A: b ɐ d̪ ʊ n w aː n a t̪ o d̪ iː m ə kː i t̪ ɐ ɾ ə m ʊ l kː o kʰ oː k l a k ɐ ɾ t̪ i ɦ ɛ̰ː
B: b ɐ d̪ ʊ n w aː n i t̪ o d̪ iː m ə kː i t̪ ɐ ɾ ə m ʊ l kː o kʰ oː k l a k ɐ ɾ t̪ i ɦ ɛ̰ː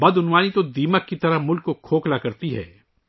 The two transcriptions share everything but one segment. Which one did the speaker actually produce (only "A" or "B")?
B